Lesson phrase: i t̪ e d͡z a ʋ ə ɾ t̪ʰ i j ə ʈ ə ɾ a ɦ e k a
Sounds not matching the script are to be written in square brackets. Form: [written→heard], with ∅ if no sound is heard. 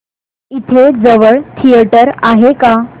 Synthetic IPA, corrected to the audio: i [t̪→t̪ʰ] e d͡z [a→ə] ʋ ə [ɾ→ɭ] t̪ʰ i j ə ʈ ə ɾ a ɦ e k a